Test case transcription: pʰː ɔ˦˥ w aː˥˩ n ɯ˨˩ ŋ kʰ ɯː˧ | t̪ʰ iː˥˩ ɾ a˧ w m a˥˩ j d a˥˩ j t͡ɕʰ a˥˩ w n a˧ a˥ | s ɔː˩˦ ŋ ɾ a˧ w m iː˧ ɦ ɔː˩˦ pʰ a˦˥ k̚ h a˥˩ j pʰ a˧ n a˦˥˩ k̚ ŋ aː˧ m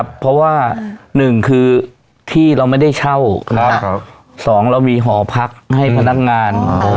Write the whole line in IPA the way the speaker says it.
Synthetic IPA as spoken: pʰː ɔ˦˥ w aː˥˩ n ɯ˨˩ ŋ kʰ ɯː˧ | t̪ʰ iː˥˩ ɾ a˧ w m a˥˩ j d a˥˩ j t͡ɕʰ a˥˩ w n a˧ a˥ | s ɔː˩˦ ŋ ɾ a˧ w m iː˧ ɦ ɔː˩˦ pʰ a˦˥ k̚ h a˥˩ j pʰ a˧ n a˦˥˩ k̚ ŋ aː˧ n